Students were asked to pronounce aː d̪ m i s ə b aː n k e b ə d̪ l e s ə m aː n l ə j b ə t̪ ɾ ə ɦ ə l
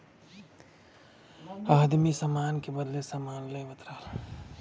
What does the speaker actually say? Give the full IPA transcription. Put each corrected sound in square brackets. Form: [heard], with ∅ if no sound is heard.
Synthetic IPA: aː d̪ m i s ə [m] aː n k e b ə d̪ l e s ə m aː n l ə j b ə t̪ ɾ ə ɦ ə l